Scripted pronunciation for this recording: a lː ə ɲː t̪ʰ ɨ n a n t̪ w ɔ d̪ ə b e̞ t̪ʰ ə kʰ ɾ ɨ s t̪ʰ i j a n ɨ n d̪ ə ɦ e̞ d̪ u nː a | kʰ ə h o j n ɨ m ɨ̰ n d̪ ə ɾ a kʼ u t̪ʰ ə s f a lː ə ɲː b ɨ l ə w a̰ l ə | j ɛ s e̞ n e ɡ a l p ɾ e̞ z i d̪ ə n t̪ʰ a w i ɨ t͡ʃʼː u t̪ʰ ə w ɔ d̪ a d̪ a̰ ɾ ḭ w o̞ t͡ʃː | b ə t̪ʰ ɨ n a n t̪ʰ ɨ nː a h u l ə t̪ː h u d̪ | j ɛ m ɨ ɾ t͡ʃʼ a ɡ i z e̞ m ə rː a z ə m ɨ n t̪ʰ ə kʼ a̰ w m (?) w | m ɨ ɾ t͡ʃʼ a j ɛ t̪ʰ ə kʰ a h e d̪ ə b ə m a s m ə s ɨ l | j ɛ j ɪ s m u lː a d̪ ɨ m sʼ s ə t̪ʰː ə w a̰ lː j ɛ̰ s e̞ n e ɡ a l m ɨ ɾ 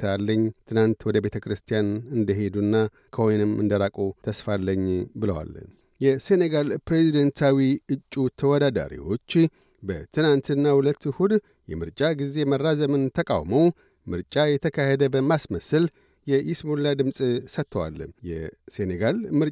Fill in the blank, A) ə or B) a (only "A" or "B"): A